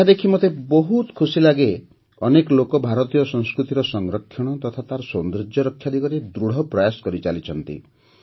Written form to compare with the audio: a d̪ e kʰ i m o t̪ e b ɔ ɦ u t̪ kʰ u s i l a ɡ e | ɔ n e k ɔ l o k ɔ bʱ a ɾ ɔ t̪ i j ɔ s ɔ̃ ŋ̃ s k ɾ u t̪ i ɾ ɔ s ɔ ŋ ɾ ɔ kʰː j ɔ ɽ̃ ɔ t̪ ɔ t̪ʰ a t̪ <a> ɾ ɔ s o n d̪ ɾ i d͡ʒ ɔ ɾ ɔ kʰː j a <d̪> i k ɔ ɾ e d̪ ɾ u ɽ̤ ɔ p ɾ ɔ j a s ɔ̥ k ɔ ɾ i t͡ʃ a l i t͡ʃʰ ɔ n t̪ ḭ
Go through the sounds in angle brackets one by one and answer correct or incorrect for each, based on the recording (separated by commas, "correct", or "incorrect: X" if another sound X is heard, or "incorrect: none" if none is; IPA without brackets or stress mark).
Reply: correct, correct